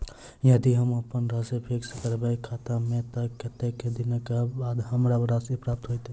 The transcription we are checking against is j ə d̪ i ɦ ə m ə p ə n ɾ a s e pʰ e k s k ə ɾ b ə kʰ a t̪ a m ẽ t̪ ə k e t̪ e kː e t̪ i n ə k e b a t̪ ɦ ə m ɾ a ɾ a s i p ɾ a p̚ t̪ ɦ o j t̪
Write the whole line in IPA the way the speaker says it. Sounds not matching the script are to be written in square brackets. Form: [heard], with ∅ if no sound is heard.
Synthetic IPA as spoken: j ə d̪ i ɦ ə m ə p ə n ɾ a s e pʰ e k s k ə ɾ b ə kʰ a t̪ a m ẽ t̪ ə k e t̪ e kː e [d̪] i n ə k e b a [d̪] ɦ ə m ɾ a ɾ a s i p ɾ a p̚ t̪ ɦ o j t̪